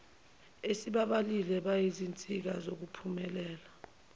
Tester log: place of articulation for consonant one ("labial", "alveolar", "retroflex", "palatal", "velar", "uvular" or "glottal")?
alveolar